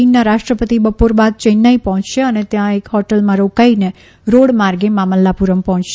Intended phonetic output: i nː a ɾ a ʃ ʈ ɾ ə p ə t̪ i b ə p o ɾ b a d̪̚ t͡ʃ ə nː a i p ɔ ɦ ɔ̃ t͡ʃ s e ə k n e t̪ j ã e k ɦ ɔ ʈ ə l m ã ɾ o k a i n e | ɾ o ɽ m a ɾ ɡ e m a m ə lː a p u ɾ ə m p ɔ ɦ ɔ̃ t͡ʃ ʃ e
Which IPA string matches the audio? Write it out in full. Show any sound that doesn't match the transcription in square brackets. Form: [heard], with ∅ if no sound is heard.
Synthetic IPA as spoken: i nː a ɾ a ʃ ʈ ɾ ə p ə t̪ i b ə p o ɾ b a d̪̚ t͡ʃ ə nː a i p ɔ ɦ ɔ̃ t͡ʃ [ʃ] e ə [∅] n e t̪ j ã e k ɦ ɔ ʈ ə l m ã ɾ o k a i n e | ɾ o ɽ m a ɾ ɡ e m a m ə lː a p u ɾ ə m p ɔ ɦ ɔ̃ t͡ʃ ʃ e